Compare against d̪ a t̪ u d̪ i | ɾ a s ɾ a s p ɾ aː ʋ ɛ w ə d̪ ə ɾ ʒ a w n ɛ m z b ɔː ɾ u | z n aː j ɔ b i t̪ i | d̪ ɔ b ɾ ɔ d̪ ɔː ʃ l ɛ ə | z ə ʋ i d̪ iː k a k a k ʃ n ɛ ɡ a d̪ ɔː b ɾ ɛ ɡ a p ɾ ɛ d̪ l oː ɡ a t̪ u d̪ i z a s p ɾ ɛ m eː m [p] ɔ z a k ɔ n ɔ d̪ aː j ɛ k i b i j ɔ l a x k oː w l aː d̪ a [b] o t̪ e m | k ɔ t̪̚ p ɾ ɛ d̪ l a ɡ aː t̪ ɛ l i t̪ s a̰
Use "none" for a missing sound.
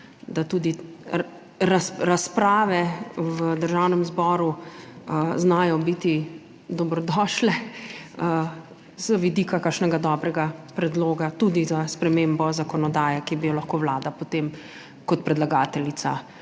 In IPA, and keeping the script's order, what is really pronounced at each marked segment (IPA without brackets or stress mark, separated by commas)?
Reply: b, p